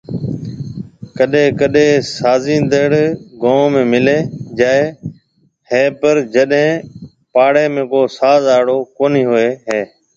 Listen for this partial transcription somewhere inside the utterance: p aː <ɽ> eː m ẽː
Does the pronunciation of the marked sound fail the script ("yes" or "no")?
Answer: no